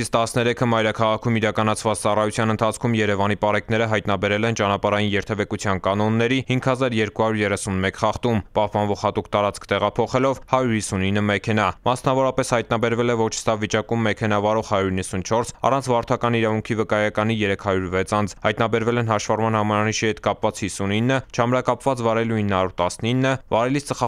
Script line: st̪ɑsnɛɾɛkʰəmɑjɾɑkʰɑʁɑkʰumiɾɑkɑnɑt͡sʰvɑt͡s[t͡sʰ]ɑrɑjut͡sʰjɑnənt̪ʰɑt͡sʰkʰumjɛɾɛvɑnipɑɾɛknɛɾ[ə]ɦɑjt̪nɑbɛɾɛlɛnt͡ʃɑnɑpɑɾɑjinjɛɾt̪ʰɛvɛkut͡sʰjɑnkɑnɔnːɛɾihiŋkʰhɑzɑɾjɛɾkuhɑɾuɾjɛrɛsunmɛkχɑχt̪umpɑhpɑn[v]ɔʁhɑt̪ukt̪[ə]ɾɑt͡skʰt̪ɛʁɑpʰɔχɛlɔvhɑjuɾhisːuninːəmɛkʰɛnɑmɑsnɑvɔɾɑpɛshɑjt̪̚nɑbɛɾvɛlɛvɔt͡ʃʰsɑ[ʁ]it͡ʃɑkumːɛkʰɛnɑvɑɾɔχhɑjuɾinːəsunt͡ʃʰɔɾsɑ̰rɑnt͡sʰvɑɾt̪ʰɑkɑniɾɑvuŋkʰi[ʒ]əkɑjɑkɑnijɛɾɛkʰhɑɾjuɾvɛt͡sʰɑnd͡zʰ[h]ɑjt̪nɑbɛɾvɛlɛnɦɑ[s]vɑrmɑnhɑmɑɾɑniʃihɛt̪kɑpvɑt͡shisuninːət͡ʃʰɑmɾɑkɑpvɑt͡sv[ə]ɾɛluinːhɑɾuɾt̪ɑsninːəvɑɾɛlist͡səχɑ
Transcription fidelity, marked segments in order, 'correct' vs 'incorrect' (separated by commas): incorrect, correct, correct, incorrect, incorrect, incorrect, correct, incorrect, incorrect